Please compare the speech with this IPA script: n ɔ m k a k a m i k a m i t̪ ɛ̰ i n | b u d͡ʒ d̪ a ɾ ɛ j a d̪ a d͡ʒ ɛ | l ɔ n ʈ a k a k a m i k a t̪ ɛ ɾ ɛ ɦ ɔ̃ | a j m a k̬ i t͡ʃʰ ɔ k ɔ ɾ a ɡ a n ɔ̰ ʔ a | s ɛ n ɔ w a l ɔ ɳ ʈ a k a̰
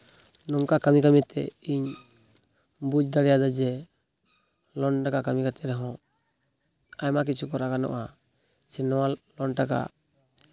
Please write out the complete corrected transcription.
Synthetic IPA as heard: n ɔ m k a k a m i k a m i t̪ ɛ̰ i ɲ | b u d͡ʒ d̪ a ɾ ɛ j a d̪ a d͡ʒ ɛ | l ɔ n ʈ a k a k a m i k a t̪ ɛ ɾ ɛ ɦ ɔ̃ | a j m a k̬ i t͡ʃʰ u k ɔ ɾ a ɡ a n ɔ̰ ʔ a | s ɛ n ɔ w a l ɔ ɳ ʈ a k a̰